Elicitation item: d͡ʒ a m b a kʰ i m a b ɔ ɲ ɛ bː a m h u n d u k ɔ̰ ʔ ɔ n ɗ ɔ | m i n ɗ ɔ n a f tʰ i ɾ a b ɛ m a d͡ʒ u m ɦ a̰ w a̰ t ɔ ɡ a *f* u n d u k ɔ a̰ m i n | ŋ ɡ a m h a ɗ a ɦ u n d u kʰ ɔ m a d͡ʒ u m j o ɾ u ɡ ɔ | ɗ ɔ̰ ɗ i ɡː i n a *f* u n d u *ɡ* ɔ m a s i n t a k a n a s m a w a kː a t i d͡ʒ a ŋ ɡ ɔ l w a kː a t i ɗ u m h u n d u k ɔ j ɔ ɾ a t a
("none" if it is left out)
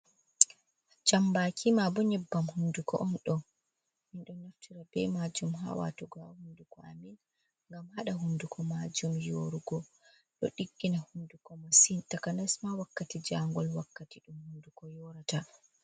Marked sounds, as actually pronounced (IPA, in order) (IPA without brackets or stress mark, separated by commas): h, h, k